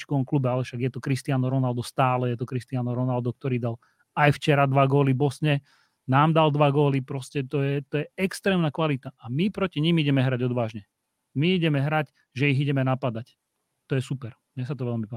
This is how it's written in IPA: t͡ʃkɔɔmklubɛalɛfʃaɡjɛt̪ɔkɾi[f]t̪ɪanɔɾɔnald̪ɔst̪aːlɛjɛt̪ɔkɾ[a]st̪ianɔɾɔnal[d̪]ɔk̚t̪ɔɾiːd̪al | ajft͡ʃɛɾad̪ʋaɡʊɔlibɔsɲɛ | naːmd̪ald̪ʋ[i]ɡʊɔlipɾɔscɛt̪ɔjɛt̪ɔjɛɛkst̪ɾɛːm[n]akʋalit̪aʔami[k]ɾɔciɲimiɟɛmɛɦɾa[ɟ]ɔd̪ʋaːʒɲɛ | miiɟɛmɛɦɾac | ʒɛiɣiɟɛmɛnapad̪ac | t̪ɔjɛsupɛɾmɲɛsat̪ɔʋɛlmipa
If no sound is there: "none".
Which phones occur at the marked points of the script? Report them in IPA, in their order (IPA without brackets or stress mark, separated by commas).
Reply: s, i, d̪, a, n, p, ɟ